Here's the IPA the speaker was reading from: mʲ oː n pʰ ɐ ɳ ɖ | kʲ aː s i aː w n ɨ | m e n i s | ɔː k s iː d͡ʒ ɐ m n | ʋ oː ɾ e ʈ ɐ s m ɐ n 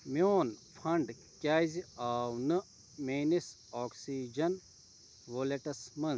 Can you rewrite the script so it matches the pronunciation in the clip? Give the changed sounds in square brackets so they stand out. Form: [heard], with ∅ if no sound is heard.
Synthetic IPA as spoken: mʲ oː n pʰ ɐ ɳ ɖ | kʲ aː [z] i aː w n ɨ | m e n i s | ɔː k s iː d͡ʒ ɐ [∅] n | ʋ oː [l] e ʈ ɐ s m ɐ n